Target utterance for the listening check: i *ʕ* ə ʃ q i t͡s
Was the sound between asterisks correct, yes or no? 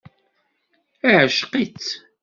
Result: yes